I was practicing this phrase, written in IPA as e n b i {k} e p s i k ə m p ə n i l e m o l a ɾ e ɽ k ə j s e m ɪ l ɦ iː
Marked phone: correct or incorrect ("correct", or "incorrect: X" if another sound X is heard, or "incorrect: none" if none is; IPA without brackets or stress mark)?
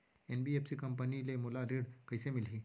incorrect: none